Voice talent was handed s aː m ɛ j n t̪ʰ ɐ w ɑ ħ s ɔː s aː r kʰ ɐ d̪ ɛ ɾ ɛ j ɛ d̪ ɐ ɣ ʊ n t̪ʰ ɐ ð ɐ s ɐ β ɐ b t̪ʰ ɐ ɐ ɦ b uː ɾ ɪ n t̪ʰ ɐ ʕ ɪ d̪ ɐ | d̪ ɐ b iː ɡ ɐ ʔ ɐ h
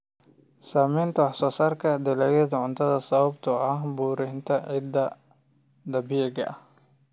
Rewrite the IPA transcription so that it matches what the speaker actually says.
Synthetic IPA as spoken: s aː m ɛ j n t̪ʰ ɐ w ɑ ħ s ɔː s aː r kʰ ɐ d̪ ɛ l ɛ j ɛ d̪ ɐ ʕ ʊ n t̪ʰ ɐ ð ɐ s ɐ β ɐ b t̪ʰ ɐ ɐ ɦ b uː ɾ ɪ n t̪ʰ ɐ ʕ ɪ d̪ ɐ | d̪ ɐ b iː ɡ ɐ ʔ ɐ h